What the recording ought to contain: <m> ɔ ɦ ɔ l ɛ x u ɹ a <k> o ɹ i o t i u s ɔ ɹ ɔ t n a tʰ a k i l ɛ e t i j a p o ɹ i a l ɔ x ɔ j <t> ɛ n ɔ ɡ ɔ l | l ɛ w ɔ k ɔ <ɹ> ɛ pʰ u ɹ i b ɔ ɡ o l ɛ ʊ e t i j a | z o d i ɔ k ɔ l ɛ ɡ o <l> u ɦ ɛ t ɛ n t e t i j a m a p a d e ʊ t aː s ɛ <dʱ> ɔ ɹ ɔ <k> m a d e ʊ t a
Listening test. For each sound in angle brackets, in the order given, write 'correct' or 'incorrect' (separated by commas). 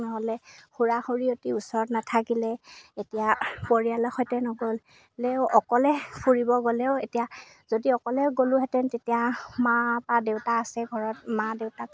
incorrect, incorrect, correct, incorrect, correct, incorrect, incorrect